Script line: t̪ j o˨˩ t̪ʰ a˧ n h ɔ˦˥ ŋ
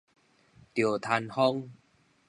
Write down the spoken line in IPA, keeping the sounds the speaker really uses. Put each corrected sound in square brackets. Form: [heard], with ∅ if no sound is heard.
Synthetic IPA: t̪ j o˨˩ t̪ʰ a˧ n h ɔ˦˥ ŋ

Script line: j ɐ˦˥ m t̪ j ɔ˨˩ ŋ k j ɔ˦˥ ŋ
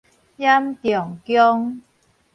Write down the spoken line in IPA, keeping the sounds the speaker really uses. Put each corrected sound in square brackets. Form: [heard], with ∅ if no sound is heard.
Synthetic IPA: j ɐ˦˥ m t̪ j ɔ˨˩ ŋ k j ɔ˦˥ ŋ

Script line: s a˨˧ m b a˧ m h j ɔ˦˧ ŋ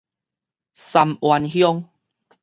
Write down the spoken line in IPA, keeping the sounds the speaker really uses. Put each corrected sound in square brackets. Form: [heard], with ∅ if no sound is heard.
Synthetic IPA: s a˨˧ m [w] a˧ [n] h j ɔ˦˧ ŋ

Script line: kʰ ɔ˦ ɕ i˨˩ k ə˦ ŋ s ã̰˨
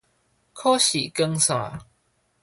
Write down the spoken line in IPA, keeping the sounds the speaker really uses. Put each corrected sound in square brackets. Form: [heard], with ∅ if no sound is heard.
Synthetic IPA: kʰ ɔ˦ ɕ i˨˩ k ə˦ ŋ s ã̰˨

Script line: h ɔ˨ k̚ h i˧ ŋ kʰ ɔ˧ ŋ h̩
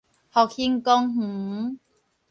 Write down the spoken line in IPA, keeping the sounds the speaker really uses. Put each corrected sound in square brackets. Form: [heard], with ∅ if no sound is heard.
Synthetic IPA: h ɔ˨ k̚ h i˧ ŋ [k] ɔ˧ ŋ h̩

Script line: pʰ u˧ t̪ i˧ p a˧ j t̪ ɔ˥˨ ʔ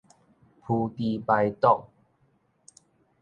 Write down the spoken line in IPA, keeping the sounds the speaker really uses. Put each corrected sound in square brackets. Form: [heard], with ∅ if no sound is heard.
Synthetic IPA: pʰ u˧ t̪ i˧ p a˧ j t̪ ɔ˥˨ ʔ

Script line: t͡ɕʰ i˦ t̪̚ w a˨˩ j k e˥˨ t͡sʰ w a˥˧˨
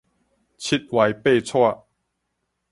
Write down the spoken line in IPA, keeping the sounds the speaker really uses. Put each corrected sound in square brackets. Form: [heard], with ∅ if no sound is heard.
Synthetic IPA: t͡ɕʰ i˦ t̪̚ w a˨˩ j [p] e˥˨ t͡sʰ w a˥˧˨

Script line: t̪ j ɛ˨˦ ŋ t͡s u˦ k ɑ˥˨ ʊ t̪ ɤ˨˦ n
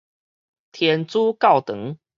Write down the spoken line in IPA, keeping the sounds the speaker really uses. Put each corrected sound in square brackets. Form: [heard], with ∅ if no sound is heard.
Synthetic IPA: [t̪ʰ] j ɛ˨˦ [n] t͡s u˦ k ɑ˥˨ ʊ t̪ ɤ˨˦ [ŋ]

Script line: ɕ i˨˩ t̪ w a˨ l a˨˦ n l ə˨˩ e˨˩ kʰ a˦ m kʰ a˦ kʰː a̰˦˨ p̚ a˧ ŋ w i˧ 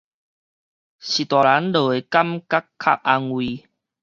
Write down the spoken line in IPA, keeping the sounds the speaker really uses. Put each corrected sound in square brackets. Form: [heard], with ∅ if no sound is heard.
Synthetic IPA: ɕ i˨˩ t̪ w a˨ l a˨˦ n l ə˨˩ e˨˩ [k] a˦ m [k] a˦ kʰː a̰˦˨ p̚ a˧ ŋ w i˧

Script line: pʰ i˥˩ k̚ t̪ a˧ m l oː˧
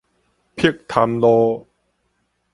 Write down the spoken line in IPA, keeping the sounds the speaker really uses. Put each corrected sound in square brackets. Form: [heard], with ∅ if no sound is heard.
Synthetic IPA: pʰ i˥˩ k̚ [t̪ʰ] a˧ m l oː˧

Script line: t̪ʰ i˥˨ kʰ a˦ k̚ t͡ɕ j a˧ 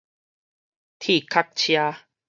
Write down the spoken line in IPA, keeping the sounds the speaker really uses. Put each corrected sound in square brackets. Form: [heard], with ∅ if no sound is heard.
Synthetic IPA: t̪ʰ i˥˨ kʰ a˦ k̚ [t͡ɕʰ] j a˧

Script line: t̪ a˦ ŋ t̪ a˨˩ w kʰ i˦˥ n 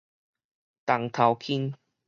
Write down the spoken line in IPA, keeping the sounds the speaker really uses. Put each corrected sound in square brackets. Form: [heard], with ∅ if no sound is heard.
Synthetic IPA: t̪ [a˨˩] ŋ [t̪ʰ] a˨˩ w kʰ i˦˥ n

